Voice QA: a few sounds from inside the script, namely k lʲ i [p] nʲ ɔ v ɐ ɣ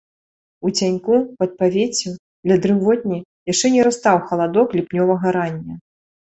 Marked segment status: correct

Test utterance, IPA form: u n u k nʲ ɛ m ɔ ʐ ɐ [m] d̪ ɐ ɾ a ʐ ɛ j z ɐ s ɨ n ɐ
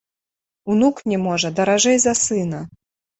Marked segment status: incorrect: none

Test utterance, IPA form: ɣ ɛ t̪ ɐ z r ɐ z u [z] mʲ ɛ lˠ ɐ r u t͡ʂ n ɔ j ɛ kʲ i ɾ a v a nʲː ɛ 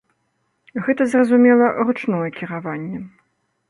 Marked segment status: incorrect: none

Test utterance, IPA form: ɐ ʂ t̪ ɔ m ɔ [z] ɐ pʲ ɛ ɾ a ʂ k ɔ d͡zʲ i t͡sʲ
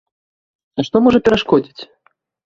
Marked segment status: incorrect: ʐ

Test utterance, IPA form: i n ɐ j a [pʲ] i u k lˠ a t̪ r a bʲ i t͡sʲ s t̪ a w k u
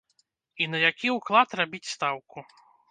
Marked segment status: incorrect: kʲ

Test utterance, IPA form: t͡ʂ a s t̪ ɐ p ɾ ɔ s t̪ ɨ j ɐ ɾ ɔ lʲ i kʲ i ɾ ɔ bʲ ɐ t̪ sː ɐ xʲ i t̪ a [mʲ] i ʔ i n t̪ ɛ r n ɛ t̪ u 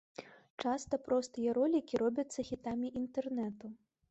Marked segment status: correct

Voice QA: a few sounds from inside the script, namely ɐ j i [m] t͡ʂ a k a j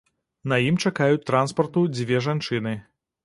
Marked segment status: correct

